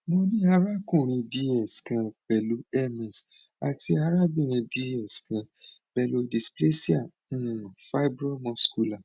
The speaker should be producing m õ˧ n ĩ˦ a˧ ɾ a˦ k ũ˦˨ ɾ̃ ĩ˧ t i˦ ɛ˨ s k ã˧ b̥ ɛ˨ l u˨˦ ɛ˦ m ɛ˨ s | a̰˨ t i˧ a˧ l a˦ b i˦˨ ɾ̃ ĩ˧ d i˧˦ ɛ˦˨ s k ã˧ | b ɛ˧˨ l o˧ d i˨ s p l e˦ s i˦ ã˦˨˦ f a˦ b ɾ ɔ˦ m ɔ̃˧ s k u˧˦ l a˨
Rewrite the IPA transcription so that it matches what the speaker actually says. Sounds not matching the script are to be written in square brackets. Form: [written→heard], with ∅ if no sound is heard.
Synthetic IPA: m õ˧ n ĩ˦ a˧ ɾ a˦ k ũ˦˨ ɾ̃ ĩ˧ [t→d] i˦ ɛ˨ s k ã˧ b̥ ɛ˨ l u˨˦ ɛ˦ m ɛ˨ s | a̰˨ t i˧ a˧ [l→ɾ] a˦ b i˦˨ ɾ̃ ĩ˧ d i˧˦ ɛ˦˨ s k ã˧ | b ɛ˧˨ l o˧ d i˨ s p l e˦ s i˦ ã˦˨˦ f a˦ b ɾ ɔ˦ m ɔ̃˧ s k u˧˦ l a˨